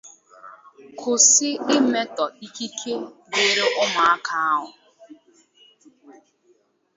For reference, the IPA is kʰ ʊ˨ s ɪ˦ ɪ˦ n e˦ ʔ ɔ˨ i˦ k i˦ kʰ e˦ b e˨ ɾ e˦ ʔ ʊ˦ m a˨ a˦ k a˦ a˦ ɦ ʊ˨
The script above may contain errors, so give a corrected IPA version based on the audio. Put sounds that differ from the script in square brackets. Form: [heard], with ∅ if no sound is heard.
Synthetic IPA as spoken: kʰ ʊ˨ s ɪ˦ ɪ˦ [m] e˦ [t] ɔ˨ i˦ k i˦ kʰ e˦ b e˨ ɾ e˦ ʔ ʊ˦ m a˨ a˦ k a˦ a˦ ɦ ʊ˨